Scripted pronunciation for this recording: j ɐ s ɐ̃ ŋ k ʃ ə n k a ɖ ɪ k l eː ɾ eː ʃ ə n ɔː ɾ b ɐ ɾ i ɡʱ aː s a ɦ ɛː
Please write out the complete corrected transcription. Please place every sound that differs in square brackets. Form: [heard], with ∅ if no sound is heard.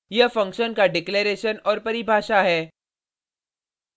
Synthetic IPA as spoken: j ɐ [f] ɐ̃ ŋ k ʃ ə n k a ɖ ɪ k l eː ɾ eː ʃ ə n ɔː ɾ [p] ɐ ɾ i [bʱ] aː [ʃ] a ɦ ɛː